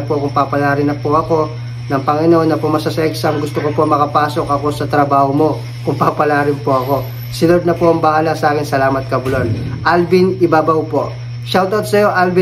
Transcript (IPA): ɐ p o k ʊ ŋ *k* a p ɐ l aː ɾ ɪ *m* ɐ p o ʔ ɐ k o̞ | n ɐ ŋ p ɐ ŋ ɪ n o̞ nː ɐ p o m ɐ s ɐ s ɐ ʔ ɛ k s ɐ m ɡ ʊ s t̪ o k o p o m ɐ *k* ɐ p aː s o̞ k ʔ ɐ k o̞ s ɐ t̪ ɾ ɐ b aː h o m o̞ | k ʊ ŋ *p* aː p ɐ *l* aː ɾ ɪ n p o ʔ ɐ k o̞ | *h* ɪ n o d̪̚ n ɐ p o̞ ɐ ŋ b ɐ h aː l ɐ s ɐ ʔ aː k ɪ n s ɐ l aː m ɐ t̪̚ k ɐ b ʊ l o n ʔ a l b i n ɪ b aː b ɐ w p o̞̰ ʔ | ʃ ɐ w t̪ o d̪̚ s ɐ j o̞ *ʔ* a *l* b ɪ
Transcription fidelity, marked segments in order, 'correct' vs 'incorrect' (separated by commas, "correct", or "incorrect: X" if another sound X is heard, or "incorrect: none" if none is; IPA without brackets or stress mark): incorrect: p, incorrect: n, correct, correct, correct, incorrect: s, correct, correct